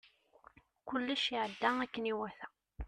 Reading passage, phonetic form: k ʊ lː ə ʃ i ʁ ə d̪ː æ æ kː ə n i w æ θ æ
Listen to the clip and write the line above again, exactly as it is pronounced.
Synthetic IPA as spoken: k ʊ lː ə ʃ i ʕ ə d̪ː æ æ kː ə n i w æ θ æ